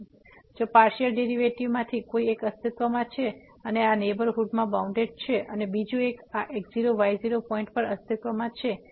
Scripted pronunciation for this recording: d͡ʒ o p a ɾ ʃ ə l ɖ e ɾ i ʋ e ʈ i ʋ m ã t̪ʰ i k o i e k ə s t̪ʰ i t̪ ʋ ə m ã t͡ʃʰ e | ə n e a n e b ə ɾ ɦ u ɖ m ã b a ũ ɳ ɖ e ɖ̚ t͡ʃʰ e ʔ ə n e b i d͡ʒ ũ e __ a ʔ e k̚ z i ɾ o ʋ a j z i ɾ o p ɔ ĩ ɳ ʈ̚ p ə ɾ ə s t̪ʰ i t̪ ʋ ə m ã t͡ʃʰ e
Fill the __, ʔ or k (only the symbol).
k